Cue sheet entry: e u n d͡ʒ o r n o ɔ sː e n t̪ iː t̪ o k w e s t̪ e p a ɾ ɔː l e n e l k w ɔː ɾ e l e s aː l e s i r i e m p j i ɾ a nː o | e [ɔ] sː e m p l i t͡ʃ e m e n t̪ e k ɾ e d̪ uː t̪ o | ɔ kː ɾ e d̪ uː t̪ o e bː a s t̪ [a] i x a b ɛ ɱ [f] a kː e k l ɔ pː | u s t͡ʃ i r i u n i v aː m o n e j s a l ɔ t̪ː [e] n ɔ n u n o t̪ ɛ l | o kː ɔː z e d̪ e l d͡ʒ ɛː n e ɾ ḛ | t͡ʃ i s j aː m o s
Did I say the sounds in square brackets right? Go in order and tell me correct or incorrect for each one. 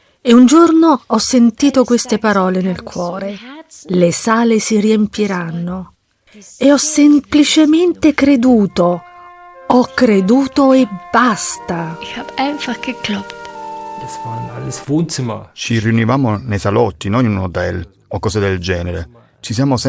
correct, correct, correct, incorrect: i

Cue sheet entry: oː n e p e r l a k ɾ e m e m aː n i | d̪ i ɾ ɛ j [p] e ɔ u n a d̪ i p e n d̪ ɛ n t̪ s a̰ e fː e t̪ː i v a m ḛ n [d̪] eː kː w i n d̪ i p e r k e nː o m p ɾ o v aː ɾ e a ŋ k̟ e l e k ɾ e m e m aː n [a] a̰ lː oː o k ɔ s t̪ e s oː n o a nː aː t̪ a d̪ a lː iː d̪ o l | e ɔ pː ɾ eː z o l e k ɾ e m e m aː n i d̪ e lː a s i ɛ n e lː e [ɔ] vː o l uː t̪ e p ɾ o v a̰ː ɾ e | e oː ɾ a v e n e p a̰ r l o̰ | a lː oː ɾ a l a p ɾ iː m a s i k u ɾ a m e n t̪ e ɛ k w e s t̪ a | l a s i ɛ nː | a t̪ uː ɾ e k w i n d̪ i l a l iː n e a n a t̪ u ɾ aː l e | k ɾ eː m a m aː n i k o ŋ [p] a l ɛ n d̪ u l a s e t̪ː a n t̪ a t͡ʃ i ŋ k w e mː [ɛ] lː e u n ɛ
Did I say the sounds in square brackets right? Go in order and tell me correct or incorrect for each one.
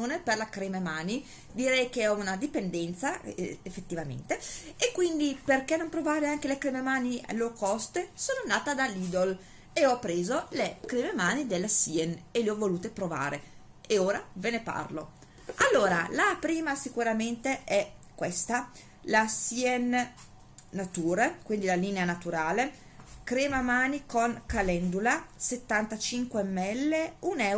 incorrect: k, incorrect: t̪, incorrect: i, correct, incorrect: k, correct

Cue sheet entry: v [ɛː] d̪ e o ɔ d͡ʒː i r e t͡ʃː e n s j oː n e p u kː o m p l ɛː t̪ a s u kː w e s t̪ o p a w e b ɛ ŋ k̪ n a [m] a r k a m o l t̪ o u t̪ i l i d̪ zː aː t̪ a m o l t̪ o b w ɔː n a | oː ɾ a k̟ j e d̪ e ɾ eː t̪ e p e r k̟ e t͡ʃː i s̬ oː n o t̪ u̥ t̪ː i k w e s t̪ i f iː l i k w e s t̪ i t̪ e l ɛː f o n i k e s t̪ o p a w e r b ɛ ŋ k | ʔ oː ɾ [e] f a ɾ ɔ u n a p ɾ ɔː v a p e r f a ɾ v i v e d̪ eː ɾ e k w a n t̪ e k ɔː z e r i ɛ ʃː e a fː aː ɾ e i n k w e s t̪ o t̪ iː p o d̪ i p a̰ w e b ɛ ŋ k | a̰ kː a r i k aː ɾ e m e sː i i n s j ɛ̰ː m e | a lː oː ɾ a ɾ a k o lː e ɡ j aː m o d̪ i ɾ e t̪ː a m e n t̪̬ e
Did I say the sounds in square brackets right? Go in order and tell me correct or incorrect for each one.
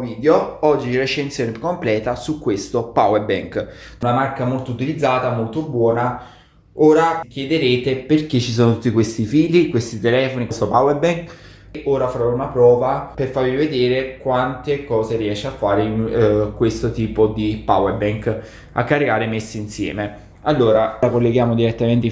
incorrect: iː, correct, incorrect: a

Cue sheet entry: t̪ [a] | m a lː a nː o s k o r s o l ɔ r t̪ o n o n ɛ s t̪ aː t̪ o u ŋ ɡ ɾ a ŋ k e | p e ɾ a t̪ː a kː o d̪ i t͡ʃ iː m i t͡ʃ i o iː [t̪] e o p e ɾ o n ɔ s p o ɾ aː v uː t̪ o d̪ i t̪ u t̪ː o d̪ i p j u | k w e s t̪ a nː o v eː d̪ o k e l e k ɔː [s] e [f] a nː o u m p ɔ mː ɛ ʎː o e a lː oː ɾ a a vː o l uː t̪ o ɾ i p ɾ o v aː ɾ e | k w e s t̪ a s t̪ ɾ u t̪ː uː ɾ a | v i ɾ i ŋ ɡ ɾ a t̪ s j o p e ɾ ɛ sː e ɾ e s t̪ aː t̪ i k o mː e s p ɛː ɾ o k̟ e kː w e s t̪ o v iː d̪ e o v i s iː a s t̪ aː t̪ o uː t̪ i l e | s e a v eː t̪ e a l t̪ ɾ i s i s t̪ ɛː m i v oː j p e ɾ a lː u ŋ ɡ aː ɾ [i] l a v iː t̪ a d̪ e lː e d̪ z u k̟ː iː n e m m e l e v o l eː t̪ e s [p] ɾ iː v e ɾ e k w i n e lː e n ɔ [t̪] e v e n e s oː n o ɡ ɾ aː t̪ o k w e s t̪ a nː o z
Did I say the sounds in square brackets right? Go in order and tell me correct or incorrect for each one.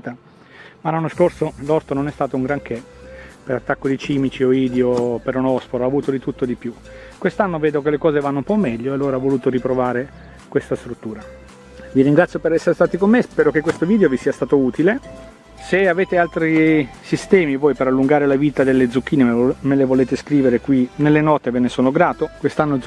correct, incorrect: d̪, incorrect: z, incorrect: v, incorrect: e, incorrect: k, correct

